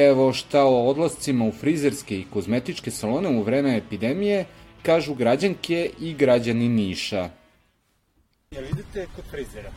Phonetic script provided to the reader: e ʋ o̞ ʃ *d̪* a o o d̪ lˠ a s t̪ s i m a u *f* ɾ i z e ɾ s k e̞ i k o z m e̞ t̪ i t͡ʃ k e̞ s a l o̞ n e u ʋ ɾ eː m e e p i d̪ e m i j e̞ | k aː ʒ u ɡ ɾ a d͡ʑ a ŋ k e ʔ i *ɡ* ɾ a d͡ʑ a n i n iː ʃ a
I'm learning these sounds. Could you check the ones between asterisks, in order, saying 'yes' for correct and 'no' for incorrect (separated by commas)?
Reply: no, yes, yes